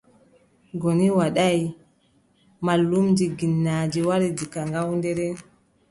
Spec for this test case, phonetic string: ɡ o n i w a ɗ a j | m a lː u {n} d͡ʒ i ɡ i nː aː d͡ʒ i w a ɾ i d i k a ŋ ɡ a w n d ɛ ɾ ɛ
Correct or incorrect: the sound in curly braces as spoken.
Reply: incorrect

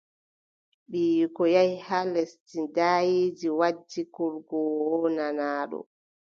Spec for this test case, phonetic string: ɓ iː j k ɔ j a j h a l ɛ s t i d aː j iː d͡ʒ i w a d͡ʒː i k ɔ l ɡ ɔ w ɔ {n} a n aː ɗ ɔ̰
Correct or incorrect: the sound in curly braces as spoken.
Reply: correct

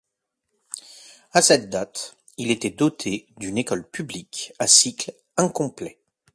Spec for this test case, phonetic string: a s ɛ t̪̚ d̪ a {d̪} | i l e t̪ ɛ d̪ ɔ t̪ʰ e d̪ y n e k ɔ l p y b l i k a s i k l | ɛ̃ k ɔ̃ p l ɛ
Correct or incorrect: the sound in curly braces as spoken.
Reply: incorrect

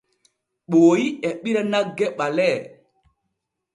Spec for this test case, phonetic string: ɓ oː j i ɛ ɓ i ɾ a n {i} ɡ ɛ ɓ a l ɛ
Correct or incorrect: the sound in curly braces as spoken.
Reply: incorrect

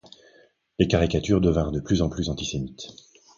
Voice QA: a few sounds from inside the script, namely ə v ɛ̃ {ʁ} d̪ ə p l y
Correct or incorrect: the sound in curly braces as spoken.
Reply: correct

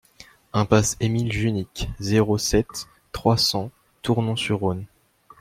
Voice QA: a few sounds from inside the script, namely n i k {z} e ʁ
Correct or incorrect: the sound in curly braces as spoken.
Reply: correct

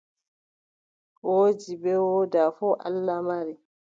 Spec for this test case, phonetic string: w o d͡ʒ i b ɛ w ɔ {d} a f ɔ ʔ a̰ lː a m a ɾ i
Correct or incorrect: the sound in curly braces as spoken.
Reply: correct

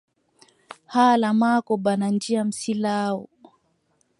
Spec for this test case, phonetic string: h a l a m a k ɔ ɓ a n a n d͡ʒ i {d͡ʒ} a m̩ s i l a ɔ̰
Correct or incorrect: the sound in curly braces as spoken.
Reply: incorrect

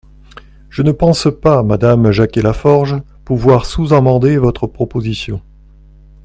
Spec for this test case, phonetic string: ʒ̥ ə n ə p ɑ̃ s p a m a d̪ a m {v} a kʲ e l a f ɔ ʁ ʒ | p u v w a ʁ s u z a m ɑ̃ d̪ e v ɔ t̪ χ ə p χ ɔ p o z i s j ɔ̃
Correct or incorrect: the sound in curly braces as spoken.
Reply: incorrect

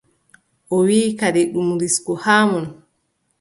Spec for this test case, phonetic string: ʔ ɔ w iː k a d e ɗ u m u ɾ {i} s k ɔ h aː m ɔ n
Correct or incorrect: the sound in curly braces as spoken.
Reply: correct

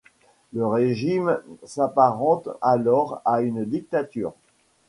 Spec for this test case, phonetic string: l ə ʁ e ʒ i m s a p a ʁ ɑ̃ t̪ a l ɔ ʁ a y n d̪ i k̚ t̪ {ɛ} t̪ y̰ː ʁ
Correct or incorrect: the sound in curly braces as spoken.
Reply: incorrect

